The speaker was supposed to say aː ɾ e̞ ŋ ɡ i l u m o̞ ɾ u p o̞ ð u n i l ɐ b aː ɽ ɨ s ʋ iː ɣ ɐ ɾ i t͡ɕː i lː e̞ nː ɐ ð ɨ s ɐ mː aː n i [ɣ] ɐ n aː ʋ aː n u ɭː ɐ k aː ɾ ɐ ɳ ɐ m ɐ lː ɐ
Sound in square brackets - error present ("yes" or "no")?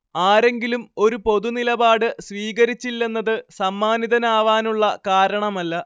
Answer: yes